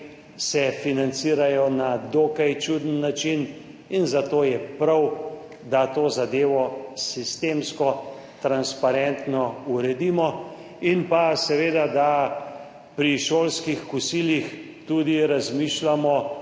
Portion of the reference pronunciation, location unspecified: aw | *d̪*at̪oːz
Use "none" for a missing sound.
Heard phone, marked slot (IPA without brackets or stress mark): d̪